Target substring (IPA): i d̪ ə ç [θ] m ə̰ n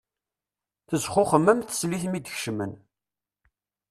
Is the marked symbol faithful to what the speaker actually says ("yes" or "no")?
no